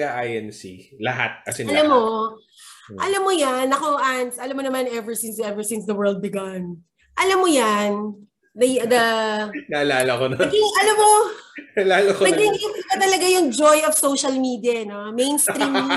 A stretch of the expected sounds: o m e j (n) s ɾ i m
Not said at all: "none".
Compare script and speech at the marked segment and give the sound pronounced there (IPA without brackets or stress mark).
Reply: n